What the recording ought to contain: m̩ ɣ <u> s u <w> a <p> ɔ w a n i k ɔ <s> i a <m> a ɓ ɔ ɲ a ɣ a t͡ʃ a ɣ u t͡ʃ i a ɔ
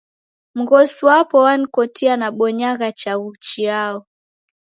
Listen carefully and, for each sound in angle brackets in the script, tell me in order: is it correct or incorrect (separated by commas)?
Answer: incorrect, correct, correct, incorrect, incorrect